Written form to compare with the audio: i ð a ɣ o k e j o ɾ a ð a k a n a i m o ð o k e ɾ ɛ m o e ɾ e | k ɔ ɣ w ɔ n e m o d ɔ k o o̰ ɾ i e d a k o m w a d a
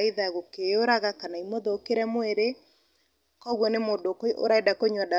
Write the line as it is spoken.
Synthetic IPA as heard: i ð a ɣ o k e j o ɾ a ɣ a k a n a i m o ð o k e ɾ ɛ m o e ɾ e | k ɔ ɣ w ɔ n e m o d o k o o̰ ɾ a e d a k o ɲ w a d a